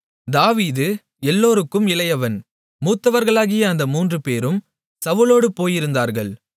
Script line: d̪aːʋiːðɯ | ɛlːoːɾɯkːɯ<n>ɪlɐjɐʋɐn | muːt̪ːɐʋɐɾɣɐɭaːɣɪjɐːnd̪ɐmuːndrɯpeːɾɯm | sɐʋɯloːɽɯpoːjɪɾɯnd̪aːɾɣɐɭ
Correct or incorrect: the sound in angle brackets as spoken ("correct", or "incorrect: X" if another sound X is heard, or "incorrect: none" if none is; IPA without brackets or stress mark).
incorrect: m